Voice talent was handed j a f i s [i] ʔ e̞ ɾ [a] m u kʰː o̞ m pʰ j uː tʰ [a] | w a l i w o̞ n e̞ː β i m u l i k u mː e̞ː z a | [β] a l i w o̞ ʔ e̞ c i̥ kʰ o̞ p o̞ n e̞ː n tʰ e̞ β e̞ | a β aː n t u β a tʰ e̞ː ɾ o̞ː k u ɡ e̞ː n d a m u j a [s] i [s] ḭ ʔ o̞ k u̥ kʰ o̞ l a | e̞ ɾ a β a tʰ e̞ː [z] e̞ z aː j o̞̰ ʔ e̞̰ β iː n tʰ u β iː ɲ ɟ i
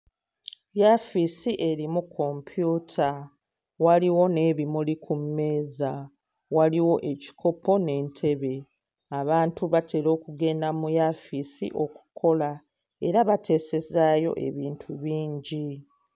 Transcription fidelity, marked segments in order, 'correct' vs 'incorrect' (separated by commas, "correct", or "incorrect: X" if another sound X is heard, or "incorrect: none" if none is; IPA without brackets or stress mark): correct, incorrect: i, correct, incorrect: w, incorrect: f, correct, incorrect: s